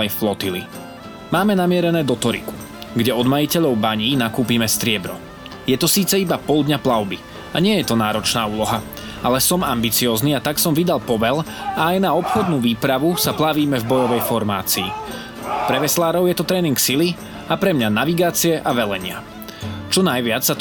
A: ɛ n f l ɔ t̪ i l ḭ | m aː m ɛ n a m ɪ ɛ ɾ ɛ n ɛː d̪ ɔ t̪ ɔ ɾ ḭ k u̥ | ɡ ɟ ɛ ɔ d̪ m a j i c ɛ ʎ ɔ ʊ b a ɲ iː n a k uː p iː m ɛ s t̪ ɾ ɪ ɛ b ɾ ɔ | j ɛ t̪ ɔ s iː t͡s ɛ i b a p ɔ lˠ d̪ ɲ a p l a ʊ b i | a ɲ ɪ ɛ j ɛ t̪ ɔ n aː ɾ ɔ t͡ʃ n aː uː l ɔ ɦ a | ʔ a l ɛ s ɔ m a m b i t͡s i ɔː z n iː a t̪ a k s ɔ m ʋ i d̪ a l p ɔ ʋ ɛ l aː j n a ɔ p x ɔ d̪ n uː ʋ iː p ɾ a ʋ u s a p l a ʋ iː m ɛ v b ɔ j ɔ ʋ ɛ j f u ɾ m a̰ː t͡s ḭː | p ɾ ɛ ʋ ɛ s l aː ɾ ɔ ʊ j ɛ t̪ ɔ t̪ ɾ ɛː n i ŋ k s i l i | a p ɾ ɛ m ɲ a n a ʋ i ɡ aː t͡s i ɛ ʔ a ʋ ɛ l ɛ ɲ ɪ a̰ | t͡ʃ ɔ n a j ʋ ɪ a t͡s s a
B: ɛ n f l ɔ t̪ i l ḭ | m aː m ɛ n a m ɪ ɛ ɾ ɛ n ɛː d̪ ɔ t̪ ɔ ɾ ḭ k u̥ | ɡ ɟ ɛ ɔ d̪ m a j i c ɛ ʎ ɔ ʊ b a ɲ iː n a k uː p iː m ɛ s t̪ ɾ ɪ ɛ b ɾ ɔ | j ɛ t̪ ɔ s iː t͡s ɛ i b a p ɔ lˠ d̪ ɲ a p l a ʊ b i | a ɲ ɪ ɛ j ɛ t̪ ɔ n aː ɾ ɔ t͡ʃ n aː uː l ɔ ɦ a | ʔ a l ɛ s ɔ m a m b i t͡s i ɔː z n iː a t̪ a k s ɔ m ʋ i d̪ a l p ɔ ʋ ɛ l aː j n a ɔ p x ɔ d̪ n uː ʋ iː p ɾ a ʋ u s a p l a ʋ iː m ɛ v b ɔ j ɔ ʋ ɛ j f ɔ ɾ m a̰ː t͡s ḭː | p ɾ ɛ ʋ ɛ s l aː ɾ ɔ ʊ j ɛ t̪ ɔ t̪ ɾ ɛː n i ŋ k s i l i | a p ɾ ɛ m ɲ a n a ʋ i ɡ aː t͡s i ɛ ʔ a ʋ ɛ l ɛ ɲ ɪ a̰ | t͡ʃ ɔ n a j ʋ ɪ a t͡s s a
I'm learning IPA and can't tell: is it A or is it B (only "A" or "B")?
B